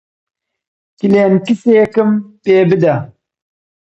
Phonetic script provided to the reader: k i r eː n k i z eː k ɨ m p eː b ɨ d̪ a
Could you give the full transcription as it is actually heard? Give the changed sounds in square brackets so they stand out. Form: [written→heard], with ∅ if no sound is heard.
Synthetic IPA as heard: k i [r→l] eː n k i [z→s] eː k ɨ m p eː b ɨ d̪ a